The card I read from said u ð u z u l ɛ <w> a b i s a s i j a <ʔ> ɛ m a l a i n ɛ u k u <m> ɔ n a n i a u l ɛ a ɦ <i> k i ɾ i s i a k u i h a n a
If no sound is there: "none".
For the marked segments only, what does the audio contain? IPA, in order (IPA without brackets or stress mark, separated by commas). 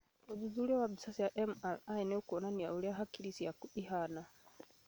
w, ʔ, none, a